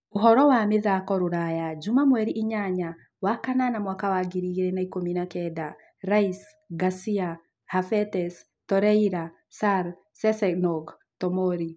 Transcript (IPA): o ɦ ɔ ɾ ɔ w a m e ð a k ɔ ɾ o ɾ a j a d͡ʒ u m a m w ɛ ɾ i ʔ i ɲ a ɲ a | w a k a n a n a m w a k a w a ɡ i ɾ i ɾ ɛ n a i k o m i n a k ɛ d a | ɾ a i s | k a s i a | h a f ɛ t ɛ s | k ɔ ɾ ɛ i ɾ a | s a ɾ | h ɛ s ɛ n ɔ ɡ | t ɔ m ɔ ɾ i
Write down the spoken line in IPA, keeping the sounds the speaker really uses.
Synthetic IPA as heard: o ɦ ɔ ɾ ɔ w a m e ð a k ɔ ɾ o ɾ a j a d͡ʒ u m a m w ɛ ɾ i ʔ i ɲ a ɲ a | w a k a n a n a m w a k a w a ɡ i ɾ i ɾ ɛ n a i k o m i n a k ɛ d a | ɾ a i s | ɡ a s i a | h a f ɛ t ɛ s | t ɔ ɾ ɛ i ɾ a | s a ɾ | s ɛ s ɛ n ɔ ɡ | t ɔ m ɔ ɾ i